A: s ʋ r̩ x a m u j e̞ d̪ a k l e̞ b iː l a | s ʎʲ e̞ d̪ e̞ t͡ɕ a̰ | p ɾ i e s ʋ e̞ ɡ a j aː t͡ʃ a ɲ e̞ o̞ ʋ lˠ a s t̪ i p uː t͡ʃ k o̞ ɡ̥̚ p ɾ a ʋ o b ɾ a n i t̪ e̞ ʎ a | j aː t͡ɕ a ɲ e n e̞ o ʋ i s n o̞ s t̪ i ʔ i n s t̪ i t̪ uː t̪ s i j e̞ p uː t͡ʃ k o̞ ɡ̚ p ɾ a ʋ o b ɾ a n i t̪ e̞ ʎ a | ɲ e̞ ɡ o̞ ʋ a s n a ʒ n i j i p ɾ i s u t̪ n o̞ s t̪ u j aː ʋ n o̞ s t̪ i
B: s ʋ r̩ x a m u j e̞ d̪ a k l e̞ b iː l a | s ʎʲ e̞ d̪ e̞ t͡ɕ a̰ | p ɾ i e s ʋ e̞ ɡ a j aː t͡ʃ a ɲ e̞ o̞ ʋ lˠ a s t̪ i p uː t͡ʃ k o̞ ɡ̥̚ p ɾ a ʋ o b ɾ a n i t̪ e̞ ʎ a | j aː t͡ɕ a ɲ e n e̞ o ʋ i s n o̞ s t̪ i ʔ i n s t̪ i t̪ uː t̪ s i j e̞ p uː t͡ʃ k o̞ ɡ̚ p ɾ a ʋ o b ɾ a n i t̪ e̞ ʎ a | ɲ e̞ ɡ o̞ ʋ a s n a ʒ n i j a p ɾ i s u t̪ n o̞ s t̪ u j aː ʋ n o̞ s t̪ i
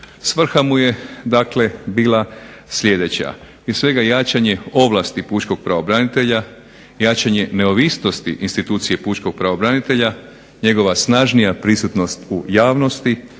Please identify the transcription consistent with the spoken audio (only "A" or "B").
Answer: B